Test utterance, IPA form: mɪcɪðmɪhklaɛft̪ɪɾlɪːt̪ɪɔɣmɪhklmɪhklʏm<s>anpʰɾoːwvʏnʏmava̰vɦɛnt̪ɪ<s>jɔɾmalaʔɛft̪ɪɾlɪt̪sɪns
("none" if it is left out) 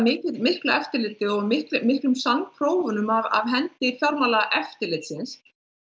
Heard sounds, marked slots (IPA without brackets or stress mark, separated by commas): s, f